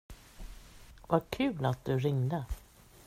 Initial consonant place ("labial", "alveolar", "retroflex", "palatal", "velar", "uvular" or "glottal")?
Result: labial